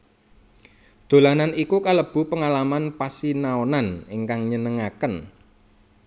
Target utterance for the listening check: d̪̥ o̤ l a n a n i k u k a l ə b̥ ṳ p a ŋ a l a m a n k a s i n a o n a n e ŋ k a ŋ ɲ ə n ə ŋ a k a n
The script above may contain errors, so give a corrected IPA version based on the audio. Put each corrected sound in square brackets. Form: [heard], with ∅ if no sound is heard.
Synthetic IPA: d̪̥ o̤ l a n a n i k u k a l ə b̥ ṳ p [ə] ŋ a l a m a n [p] a s i n a o n a n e ŋ k a ŋ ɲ ə n ə ŋ a k [ə] n